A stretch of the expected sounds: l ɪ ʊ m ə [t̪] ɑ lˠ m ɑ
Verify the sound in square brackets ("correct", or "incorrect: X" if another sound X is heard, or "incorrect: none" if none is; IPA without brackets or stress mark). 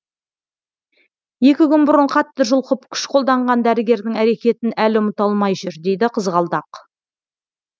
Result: correct